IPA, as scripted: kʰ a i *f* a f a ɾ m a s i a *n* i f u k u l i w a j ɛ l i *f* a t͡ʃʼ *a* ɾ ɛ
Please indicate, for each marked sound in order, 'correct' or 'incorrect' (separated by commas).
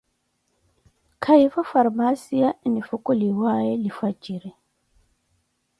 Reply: correct, correct, correct, incorrect